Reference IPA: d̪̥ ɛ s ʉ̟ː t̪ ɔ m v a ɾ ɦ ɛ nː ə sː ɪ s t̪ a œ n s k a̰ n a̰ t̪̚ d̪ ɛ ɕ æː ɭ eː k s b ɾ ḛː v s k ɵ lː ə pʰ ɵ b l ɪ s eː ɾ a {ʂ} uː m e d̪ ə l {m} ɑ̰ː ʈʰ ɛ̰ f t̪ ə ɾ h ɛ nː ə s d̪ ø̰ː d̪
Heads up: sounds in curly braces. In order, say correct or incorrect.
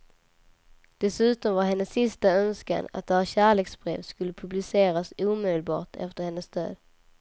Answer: incorrect, incorrect

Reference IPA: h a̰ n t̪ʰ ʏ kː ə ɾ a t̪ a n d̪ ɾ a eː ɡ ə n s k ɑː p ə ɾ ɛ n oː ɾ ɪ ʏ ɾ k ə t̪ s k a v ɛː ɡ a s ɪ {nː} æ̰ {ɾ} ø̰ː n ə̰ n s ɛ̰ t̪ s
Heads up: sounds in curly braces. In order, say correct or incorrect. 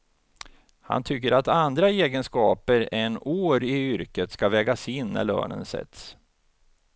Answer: correct, incorrect

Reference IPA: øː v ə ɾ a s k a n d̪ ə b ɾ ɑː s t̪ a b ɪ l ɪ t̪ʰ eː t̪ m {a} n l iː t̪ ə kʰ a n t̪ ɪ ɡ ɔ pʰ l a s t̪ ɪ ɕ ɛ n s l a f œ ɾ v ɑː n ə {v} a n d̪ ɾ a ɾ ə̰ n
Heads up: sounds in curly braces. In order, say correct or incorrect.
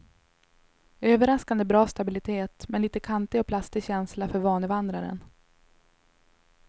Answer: incorrect, correct

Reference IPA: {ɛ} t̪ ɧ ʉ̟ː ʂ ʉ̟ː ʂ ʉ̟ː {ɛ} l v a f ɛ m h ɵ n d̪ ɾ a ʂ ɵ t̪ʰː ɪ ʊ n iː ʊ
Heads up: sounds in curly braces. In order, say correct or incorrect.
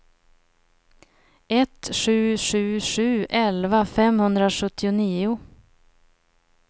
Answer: correct, correct

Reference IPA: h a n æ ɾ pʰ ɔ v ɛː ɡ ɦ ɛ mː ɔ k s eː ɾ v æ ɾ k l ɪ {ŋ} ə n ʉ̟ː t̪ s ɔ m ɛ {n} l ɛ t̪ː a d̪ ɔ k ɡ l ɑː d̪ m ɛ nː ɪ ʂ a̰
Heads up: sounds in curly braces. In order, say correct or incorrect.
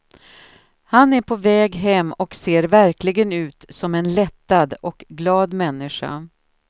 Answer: incorrect, correct

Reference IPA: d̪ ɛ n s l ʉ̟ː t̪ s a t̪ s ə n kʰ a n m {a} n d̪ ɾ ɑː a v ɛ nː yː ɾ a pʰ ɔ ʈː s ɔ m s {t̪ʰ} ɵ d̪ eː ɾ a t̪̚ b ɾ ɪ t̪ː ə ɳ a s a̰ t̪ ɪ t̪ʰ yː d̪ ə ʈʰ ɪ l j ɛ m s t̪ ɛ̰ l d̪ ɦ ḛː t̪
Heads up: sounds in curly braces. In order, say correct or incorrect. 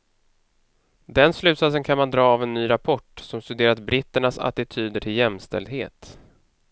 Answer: correct, incorrect

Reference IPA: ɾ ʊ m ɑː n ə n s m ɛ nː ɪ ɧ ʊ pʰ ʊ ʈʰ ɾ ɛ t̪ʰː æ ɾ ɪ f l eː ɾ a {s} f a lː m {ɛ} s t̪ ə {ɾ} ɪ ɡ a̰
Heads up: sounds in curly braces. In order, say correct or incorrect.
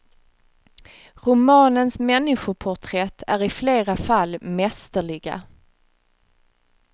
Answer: incorrect, correct, incorrect

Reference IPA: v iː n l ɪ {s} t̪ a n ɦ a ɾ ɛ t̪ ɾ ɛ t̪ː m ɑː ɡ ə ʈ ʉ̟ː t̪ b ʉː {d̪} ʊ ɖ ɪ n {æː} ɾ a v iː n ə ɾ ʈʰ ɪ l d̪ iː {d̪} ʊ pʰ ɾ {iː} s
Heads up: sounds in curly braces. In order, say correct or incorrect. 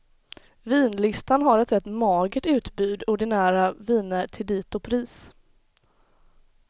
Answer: correct, correct, correct, incorrect, correct

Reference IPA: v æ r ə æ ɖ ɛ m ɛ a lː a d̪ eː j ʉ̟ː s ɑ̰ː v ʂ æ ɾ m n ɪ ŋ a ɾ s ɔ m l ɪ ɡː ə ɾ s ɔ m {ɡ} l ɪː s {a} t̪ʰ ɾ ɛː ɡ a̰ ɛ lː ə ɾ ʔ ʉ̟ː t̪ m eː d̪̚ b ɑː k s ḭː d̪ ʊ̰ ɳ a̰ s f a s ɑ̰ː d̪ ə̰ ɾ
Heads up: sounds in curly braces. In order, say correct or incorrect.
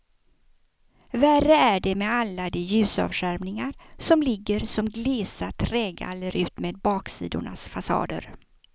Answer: correct, correct

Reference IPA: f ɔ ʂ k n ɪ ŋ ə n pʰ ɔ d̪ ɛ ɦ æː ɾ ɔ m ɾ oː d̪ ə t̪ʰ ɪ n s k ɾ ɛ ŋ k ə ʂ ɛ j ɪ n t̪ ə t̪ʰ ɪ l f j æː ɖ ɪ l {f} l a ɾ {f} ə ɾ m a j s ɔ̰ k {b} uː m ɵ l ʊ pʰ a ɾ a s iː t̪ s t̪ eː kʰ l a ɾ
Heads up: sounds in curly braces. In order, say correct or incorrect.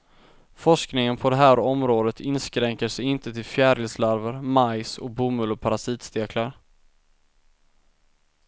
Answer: incorrect, incorrect, correct

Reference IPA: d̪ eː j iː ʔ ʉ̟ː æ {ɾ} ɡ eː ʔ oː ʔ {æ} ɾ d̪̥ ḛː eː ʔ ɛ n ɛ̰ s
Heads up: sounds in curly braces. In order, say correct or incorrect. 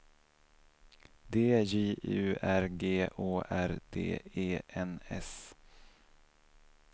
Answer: correct, correct

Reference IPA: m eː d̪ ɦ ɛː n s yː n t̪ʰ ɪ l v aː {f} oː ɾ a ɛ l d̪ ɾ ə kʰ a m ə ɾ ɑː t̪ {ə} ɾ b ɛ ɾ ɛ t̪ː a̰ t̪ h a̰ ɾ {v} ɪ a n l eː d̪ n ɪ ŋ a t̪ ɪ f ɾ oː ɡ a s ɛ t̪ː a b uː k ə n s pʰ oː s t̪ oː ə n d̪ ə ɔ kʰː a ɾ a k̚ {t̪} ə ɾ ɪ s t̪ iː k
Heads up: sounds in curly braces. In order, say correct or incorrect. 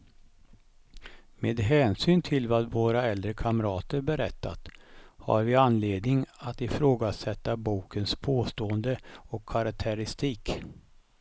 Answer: incorrect, correct, correct, incorrect

